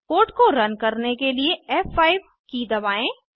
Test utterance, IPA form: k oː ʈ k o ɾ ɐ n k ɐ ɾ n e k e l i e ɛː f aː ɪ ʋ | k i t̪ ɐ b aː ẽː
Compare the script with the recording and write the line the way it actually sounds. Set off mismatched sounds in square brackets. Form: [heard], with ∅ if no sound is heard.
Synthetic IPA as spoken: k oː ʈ k o ɾ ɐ n k ɐ ɾ n e k e l i e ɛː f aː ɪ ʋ | k i [d̪] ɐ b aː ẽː